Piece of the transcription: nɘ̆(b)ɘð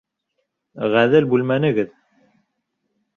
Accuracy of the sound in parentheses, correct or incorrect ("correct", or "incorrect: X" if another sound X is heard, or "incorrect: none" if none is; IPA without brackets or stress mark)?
incorrect: ɡ